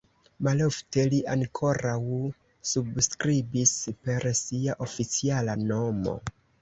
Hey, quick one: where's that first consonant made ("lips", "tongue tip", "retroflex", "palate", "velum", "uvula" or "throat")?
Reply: lips